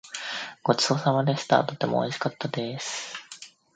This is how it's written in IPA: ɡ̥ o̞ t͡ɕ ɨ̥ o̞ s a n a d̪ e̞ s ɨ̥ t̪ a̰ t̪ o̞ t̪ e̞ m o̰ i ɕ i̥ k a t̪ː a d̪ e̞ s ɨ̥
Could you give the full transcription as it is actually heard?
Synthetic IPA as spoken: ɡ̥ o̞ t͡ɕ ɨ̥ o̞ s a m a d̪ e̞ s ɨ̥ t̪ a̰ t̪ o̞ t̪ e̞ m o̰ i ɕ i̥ k a t̪ː a d̪ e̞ s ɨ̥